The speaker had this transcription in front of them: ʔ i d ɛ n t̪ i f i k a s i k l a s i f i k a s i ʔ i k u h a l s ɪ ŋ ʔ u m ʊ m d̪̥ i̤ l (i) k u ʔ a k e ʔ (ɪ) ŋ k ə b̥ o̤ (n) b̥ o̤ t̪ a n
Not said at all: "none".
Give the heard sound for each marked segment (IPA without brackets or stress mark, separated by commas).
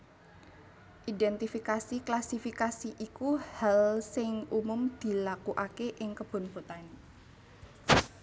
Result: a, ɪ, n